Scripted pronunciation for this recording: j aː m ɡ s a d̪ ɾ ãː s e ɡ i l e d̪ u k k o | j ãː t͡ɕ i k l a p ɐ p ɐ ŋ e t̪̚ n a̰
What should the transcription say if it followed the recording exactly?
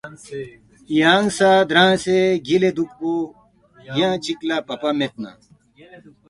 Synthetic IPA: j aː ŋ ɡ s a d̪ ɾ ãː s e ɡ i l e d̪ u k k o | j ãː t͡ɕ i k l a p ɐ p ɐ m e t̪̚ n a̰